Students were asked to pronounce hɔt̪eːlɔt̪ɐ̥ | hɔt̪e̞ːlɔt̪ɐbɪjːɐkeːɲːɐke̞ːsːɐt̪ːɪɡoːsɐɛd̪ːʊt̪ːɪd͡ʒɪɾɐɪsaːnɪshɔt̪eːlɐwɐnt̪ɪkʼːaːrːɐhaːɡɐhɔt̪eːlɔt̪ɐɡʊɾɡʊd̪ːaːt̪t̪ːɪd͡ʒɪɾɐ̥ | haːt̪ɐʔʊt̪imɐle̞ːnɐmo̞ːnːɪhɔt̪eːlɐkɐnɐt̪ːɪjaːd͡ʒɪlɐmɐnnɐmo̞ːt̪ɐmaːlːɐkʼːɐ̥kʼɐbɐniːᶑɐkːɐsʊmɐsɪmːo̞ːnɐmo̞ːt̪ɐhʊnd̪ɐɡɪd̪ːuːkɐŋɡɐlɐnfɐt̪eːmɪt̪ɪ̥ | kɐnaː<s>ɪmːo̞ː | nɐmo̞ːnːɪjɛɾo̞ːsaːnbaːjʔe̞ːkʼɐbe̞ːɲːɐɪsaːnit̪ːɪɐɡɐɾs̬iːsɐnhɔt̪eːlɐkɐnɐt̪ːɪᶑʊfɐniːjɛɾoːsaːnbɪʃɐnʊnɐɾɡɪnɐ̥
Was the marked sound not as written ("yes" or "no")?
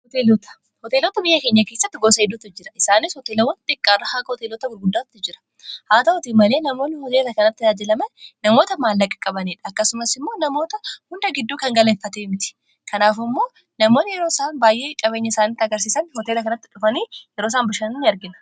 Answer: yes